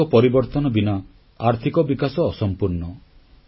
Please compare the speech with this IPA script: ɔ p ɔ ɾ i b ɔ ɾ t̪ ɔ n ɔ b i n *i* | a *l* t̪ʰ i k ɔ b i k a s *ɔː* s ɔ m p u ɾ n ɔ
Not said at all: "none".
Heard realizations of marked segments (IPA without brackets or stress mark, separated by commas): a, ɾ, ɔː